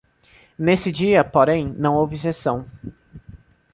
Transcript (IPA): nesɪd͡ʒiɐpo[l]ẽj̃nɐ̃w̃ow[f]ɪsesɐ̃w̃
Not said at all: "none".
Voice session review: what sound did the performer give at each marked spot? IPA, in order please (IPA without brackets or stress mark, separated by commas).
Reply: ɾ, v